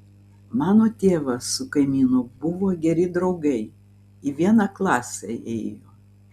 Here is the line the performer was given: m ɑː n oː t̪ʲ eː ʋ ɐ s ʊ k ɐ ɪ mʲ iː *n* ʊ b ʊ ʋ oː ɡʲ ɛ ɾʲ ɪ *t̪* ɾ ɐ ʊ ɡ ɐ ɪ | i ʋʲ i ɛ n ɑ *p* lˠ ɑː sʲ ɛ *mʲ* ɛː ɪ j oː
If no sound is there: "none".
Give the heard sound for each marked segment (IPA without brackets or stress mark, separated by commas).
n, d̪, k, none